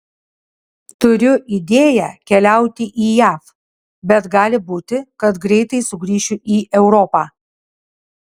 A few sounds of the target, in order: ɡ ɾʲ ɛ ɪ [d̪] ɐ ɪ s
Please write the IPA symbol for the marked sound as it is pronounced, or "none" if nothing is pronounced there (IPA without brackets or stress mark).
t̪